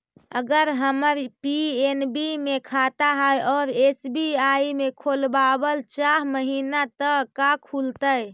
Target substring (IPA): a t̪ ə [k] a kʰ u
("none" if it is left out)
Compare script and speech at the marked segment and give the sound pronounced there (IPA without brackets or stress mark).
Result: k